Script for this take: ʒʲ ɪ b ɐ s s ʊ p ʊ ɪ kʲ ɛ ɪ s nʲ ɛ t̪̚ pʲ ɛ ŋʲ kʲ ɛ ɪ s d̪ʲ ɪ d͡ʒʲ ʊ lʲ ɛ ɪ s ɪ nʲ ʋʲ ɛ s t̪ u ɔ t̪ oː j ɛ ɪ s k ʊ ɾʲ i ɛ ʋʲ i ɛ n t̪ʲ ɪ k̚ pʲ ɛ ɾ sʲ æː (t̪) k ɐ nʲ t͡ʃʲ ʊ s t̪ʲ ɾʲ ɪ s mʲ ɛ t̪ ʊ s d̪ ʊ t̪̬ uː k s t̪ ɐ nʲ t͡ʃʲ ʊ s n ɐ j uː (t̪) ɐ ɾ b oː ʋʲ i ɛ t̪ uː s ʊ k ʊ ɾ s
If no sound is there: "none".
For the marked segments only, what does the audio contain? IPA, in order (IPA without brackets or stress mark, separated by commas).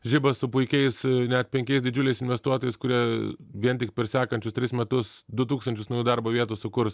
none, d̪